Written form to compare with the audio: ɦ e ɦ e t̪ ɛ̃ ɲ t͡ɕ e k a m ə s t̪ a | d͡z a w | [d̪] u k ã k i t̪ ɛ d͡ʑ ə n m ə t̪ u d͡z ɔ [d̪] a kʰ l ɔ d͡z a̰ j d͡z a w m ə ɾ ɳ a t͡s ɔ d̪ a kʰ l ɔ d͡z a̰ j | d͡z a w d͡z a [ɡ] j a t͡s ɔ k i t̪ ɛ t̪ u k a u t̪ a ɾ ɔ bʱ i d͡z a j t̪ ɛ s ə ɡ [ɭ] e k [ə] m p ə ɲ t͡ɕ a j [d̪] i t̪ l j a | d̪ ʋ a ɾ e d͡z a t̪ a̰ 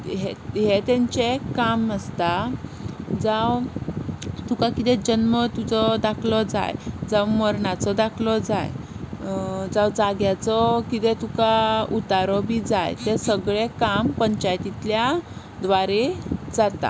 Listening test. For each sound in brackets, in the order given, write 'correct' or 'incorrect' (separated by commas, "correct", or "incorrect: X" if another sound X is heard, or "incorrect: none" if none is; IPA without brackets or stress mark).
incorrect: t̪, correct, correct, correct, incorrect: a, incorrect: t̪